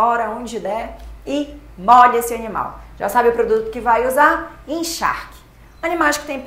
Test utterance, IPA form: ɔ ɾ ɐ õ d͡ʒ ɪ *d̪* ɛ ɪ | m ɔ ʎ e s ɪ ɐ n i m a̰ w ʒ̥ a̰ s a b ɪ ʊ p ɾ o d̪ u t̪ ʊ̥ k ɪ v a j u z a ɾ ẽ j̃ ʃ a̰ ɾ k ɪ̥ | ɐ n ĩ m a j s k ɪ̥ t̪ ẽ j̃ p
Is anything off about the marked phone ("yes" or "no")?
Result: no